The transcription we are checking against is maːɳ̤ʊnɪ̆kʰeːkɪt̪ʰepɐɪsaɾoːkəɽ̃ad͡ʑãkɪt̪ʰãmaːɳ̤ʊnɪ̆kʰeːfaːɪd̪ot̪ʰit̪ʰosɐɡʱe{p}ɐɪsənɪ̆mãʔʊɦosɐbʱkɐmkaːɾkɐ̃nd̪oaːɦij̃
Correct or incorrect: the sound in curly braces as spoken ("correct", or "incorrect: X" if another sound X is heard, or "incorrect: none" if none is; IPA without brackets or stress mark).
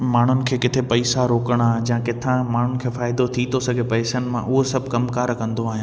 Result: correct